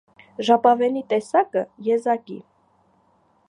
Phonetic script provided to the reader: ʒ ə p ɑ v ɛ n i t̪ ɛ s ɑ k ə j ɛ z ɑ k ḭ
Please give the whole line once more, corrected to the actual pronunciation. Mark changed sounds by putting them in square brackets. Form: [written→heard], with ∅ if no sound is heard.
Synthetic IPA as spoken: ʒ [ə→ɑ] p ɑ v ɛ n i t̪ ɛ s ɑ k ə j ɛ z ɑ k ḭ